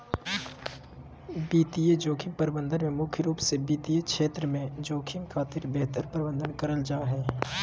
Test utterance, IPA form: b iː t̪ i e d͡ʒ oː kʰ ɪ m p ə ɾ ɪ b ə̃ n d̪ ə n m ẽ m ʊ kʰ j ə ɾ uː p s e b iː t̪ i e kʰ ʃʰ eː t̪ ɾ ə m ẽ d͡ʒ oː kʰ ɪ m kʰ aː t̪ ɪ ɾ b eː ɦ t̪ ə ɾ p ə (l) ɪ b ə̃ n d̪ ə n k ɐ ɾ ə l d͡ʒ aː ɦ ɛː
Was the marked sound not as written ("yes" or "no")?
yes